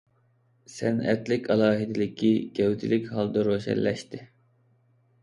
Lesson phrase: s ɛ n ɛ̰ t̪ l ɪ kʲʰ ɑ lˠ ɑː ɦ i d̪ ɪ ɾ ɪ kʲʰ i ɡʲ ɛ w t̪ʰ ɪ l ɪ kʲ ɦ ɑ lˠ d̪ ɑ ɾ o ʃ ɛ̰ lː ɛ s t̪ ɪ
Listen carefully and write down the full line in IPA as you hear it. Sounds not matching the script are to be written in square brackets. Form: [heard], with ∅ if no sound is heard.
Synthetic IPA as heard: s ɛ n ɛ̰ t̪ l ɪ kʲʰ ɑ lˠ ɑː ɦ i d̪ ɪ [l] ɪ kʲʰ i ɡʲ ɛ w t̪ʰ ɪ l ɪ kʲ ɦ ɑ lˠ d̪ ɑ ɾ o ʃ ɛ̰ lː ɛ [ʃ] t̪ ɪ